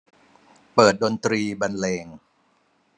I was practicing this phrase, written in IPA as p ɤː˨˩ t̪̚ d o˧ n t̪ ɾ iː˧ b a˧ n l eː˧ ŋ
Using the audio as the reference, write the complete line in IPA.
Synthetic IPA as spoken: p ɤː˨˩ t̪̚ d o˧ n t̪ ɾ iː˧ b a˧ n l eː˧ ŋ